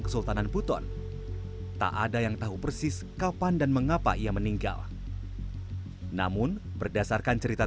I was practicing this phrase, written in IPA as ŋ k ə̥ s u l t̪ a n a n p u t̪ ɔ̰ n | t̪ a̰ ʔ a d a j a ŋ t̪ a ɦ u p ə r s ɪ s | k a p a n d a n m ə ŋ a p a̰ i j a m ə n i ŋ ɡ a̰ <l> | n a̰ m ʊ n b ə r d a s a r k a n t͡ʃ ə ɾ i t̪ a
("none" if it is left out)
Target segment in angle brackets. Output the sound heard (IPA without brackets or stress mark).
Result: l